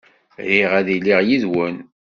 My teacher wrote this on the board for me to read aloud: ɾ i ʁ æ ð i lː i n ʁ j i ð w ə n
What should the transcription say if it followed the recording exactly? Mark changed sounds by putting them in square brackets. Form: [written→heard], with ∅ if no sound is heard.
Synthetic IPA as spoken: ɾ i ʁ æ ð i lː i [n→∅] ʁ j i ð w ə n

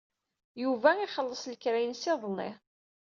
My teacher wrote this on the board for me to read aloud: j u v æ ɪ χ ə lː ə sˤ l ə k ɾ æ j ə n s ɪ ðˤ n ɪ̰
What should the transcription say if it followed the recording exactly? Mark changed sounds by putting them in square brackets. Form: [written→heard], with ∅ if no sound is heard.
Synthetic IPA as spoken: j u v æ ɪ χ ə lː ə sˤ l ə k ɾ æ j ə n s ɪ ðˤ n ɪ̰

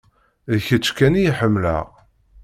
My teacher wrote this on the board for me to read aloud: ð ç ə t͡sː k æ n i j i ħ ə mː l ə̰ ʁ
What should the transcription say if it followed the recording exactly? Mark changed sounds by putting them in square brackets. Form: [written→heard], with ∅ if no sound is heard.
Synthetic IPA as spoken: ð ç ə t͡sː k æ n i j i ħ ə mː l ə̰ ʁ

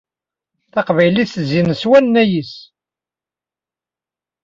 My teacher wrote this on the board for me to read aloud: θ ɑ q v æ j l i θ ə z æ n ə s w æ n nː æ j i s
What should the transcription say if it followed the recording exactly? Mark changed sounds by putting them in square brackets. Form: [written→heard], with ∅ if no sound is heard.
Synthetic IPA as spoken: θ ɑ q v æ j l i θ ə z [æ→i] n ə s w æ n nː æ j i s

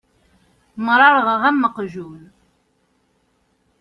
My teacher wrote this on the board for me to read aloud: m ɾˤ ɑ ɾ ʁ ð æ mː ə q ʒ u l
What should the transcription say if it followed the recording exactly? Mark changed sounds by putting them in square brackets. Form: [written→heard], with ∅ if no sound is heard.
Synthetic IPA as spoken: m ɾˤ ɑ ɾ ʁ [ð→ʁ] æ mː ə q ʒ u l

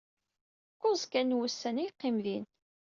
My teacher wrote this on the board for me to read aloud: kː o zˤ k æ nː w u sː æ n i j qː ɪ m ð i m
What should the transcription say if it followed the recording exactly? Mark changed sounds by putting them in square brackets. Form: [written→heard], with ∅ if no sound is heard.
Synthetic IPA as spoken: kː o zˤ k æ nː w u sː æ n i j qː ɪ m ð i [m→n]

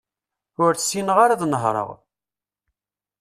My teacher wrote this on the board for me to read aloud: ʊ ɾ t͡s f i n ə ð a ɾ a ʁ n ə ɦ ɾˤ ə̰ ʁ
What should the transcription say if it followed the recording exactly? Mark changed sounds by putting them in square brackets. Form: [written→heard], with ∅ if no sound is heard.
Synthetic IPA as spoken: ʊ ɾ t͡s [f→s] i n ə [ð→ʁ] a ɾ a [ʁ→ð] n ə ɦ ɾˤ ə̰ ʁ

